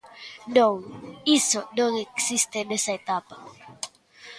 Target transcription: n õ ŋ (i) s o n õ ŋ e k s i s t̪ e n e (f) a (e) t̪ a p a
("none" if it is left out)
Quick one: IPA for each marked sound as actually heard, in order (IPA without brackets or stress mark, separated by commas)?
i, s, e